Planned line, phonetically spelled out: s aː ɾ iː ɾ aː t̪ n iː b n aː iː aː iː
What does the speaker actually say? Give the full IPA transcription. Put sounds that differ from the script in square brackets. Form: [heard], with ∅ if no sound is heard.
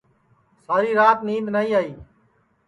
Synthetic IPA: s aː ɾ iː ɾ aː t̪ n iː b n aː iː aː iː